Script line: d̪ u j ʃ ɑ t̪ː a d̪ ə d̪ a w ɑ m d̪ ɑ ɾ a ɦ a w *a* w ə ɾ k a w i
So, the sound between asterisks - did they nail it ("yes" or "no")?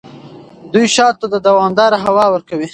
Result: no